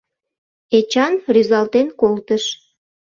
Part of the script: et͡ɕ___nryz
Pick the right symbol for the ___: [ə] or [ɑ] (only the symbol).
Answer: ɑ